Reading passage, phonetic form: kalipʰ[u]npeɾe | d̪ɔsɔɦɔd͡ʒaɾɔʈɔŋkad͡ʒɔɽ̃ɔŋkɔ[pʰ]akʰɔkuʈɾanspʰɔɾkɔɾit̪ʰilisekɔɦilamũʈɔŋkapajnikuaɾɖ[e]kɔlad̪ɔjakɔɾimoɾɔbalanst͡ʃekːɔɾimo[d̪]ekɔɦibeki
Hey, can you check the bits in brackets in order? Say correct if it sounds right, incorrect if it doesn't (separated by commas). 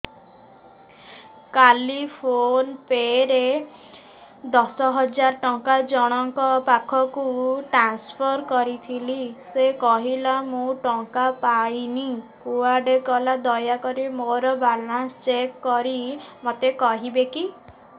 incorrect, incorrect, correct, incorrect